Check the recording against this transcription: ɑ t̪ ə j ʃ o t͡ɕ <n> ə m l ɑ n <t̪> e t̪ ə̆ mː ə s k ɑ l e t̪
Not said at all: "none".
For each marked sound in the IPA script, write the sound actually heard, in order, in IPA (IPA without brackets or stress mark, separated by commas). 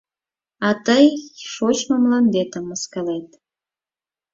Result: m, d̪